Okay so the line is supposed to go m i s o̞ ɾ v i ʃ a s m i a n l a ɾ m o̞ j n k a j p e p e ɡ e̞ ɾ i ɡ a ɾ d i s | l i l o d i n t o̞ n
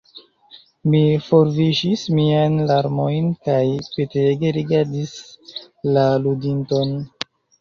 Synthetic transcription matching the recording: m i f o̞ ɾ v i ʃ i s m i a n l a ɾ m o̞ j n k a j p e t e ɡ e̞ ɾ i ɡ a ɾ d i s | l a l u d i n t o̞ n